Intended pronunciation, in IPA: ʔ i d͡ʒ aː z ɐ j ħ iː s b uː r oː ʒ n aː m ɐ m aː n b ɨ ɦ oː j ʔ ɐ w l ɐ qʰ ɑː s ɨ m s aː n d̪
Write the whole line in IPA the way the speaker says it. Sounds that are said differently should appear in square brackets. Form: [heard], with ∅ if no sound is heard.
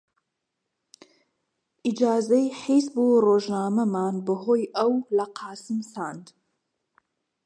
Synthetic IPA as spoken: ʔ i d͡ʒ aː z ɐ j ħ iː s b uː r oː ʒ n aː m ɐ m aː n b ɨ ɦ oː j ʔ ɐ w l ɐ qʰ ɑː s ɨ m s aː n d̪